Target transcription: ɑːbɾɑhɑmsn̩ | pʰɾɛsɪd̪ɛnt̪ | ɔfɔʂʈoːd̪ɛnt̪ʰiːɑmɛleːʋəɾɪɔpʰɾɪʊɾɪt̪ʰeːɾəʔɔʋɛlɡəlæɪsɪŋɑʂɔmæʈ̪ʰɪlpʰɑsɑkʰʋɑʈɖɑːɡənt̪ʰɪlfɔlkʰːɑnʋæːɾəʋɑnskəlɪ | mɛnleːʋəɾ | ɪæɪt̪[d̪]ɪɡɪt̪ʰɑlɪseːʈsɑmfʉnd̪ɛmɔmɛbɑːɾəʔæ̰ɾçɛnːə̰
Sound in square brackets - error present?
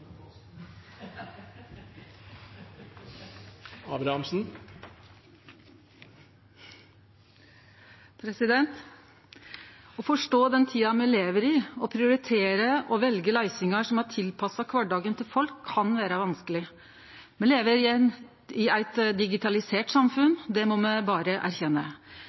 no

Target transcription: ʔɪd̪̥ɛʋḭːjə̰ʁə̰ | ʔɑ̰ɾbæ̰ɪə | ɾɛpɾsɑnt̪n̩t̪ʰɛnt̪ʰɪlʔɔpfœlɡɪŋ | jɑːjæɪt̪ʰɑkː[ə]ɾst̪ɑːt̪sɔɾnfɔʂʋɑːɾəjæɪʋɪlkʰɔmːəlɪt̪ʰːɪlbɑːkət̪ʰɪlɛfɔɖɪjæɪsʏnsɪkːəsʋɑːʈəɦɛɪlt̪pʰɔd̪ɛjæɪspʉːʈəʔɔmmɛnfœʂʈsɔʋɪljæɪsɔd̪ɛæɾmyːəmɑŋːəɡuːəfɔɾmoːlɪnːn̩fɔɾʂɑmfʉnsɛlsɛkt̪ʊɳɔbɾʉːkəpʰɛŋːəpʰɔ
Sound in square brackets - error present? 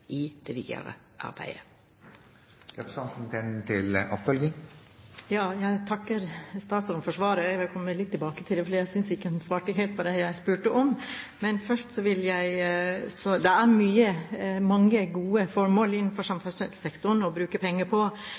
no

